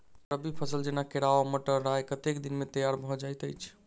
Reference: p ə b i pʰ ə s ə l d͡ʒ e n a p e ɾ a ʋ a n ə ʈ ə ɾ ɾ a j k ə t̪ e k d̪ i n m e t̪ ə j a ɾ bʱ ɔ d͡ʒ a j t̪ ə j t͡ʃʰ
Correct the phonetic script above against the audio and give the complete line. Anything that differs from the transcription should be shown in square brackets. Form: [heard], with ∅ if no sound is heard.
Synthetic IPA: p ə b i pʰ ə s ə l d͡ʒ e n a [k] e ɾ a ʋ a [m] ə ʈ ə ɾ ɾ a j k ə t̪ e k d̪ i n m e t̪ ə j a ɾ bʱ ɔ d͡ʒ a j t̪ ə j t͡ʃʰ